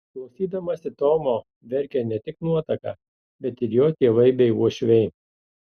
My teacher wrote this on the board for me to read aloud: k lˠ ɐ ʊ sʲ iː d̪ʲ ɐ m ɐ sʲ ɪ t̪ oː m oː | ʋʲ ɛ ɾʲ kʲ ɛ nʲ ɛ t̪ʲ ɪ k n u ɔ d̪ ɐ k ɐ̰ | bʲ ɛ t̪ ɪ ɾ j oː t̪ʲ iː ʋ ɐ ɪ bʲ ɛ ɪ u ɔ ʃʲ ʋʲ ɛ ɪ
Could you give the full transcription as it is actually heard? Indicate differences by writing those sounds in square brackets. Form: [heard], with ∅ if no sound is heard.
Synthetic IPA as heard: k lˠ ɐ ʊ sʲ iː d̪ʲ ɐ m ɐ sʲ ɪ t̪ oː m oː | ʋʲ ɛ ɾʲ kʲ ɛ nʲ ɛ t̪ʲ ɪ k n u ɔ [t̪] ɐ k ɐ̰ | bʲ ɛ t̪ ɪ ɾ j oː t̪ʲ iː ʋ ɐ ɪ bʲ ɛ ɪ u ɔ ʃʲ ʋʲ ɛ ɪ